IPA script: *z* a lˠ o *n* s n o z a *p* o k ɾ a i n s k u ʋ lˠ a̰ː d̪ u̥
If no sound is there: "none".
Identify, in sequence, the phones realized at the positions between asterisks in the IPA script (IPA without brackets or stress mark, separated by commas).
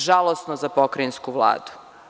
ʒ, none, p